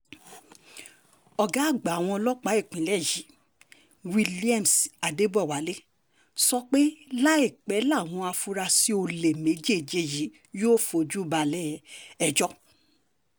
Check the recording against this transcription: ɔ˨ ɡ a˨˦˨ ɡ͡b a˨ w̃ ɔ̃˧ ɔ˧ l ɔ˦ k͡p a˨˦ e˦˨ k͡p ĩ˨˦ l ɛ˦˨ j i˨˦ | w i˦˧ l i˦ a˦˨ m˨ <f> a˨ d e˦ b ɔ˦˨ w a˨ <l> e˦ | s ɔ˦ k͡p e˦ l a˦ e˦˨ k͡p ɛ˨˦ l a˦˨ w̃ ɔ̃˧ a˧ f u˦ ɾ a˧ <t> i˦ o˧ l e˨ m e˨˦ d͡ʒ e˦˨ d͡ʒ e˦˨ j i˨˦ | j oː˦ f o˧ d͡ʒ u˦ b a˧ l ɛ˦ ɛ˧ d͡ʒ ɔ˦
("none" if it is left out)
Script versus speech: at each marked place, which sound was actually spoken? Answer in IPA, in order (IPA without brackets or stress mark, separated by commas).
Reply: s, l, s